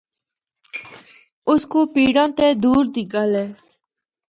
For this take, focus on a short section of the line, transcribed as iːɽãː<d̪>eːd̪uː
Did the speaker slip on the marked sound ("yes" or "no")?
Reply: yes